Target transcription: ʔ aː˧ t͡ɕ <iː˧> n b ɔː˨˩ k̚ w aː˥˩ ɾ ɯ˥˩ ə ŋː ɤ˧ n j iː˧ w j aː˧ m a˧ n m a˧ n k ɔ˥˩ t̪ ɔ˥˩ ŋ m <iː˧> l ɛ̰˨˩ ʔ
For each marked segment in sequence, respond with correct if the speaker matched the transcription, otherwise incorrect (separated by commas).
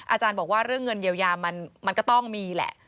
incorrect, correct